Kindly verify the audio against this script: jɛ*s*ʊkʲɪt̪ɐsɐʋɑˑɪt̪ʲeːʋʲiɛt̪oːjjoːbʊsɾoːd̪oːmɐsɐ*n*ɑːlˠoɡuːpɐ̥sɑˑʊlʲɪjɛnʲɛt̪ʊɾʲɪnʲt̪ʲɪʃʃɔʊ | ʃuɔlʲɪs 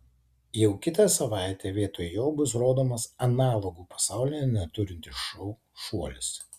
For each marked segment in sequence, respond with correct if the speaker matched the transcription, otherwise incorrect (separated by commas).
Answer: incorrect, correct